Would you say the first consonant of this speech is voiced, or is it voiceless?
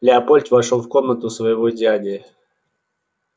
voiced